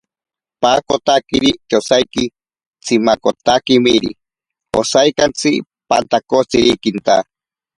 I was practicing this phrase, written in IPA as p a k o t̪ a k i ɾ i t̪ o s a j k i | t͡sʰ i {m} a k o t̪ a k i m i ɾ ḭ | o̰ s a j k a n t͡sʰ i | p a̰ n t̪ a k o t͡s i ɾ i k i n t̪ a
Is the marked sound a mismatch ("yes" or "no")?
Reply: no